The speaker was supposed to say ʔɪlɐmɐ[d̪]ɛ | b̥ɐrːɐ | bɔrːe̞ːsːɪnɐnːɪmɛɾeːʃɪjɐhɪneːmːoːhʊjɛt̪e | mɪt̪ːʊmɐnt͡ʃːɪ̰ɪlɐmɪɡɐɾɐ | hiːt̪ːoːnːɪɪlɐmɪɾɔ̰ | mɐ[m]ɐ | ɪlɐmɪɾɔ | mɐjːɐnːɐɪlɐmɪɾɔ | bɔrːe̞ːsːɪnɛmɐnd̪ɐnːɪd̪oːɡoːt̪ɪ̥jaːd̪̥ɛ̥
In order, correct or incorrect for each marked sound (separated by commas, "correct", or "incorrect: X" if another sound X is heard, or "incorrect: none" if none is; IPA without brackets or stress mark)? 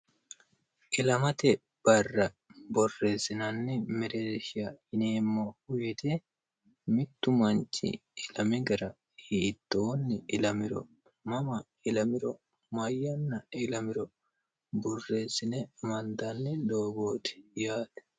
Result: incorrect: t̪, correct